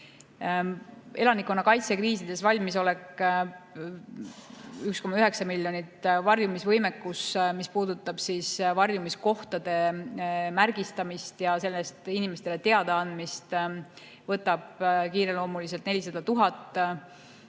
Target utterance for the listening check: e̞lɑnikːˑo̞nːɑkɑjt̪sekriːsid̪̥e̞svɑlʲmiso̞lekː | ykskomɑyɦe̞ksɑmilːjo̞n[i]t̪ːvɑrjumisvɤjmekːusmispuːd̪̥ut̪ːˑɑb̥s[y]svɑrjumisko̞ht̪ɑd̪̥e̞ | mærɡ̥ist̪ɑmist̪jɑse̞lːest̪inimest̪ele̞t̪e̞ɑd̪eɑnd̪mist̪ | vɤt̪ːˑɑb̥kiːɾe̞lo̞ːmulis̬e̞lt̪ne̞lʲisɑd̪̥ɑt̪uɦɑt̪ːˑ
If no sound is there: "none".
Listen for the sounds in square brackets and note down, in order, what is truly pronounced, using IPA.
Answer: i, i

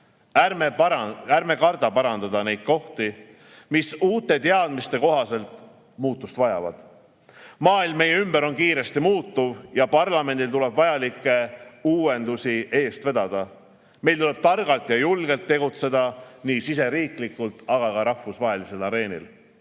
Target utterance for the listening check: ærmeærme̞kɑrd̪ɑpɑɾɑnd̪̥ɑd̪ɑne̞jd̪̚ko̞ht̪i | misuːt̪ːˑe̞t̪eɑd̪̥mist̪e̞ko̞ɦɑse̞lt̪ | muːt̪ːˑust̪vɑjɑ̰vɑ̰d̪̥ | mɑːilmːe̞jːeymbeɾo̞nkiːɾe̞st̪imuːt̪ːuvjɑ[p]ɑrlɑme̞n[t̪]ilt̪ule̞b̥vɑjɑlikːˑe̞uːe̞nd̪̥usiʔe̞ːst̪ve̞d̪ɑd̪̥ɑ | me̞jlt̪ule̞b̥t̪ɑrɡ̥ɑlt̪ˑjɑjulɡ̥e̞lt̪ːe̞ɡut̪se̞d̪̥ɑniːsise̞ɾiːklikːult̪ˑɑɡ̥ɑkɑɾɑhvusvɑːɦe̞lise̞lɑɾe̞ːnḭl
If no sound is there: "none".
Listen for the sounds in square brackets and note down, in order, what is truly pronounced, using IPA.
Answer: p, d̪

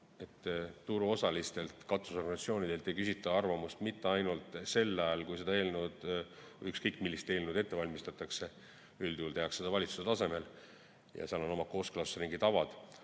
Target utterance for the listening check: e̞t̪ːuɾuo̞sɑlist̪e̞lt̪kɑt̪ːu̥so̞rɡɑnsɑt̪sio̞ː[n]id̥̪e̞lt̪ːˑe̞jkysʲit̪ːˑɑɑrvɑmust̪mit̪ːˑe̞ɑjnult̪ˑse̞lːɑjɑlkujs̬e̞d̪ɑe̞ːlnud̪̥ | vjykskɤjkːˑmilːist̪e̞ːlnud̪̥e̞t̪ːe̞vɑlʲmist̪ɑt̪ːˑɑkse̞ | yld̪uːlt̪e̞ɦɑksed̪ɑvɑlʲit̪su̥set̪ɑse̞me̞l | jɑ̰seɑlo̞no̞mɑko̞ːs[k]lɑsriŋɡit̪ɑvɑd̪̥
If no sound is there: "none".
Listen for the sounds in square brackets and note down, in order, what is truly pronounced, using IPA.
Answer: n, k

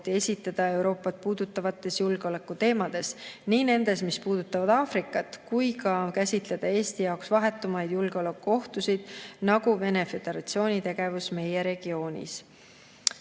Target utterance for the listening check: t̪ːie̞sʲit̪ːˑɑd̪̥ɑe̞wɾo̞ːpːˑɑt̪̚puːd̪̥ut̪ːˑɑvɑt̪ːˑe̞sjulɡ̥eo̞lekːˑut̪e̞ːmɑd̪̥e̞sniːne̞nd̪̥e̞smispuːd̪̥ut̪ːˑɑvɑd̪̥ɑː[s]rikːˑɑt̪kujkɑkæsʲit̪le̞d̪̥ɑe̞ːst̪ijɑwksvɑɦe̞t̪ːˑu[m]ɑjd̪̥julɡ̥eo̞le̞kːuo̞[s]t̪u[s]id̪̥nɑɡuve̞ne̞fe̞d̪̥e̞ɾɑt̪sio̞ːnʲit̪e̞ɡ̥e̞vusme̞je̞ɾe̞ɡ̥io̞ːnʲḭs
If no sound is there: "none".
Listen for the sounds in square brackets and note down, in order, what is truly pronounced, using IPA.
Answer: f, m, h, s

